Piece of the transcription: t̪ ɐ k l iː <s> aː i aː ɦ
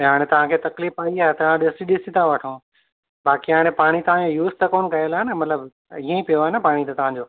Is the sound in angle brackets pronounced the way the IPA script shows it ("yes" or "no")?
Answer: no